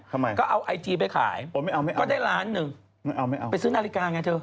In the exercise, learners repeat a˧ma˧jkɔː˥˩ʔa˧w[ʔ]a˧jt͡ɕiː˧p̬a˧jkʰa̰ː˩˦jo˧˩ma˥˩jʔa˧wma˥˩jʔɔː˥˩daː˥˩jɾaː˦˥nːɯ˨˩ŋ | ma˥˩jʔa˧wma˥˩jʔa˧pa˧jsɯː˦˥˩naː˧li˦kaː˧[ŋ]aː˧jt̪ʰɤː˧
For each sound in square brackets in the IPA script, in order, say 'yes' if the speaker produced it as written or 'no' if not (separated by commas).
yes, yes